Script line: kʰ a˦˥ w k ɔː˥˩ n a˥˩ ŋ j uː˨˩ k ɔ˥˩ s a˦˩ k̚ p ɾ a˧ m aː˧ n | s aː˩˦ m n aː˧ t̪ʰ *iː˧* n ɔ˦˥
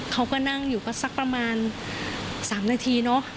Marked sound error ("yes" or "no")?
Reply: no